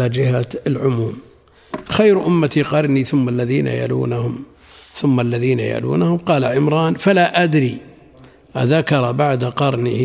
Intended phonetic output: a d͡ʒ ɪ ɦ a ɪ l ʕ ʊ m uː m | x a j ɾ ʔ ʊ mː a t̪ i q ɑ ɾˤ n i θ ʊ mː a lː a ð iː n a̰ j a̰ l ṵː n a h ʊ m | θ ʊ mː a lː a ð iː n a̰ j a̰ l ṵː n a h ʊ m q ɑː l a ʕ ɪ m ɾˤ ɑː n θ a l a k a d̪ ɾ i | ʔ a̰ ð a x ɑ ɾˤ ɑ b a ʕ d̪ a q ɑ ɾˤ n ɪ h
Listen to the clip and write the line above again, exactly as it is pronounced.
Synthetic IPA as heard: a d͡ʒ ɪ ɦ a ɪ l ʕ ʊ m uː m | x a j ɾ ʔ ʊ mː a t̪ i q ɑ ɾˤ n i θ ʊ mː a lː a ð iː n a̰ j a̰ l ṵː n a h ʊ m | θ ʊ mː a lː a ð iː n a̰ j a̰ l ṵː n a h ʊ m q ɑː l a ʕ ɪ m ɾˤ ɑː n f a l a ʔ a d̪ ɾ i | ʔ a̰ ð a k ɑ ɾˤ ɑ b a ʕ d̪ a q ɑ ɾˤ n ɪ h